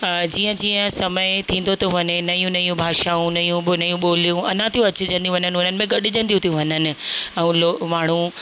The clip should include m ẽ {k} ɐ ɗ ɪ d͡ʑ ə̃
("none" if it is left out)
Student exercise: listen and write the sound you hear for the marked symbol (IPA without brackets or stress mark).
ɡ